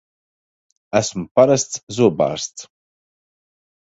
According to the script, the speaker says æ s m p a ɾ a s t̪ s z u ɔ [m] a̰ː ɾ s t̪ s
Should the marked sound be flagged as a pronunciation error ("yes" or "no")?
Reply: yes